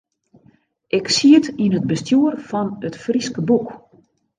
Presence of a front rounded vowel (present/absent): absent